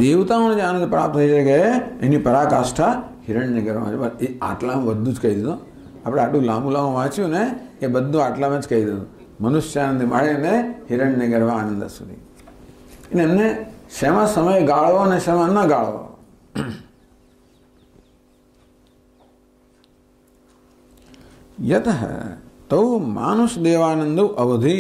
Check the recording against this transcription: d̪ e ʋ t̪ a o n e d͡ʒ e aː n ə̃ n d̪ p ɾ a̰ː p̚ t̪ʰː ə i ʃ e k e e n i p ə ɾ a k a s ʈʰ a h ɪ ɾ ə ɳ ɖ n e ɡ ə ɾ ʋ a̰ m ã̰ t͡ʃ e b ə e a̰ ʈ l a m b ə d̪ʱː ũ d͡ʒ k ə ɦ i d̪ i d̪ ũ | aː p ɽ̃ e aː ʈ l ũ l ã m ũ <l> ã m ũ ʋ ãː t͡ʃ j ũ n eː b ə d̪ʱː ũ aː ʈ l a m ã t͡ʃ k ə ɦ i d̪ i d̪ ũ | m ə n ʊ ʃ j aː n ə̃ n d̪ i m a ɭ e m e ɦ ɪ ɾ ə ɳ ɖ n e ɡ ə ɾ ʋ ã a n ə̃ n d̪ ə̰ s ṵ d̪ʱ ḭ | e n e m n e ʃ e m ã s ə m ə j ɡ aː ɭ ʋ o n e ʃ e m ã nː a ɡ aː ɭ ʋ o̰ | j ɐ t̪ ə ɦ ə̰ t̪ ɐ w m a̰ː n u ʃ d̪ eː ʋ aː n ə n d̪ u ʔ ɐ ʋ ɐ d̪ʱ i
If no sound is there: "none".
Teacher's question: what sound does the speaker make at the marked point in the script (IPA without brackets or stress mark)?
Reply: l